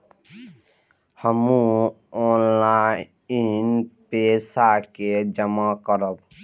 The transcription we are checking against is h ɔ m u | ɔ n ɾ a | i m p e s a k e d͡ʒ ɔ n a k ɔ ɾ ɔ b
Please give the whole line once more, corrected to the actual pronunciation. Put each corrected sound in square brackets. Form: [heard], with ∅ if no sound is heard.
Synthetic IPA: h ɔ m u | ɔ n [l] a | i [n] p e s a k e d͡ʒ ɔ [m] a k ɔ ɾ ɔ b